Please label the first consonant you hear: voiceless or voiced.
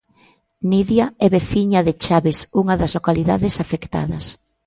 voiced